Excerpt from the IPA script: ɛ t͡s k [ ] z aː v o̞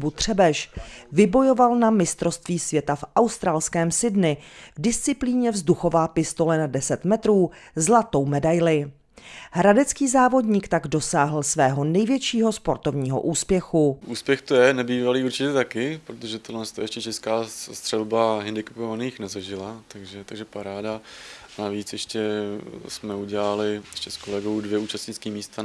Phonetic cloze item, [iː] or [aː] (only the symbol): iː